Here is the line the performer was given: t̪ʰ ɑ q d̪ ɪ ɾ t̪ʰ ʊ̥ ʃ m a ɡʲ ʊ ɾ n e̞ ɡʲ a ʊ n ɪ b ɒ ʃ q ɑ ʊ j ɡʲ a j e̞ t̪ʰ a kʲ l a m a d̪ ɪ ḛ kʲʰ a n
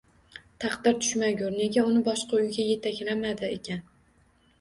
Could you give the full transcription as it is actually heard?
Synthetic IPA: t̪ʰ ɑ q d̪ ɪ ɾ t̪ʰ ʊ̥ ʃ m a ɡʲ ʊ ɾ n e̞ ɡʲ a ʊ n ɪ b ɒ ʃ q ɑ ʊ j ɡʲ a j e̞ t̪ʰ a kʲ l a m a d̪ ɪ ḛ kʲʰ a n